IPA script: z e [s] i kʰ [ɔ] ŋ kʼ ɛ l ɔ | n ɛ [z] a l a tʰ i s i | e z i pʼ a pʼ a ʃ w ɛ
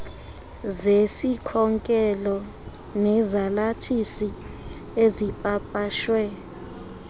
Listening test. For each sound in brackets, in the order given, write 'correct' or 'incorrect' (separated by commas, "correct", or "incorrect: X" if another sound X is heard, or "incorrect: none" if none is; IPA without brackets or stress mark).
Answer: correct, correct, correct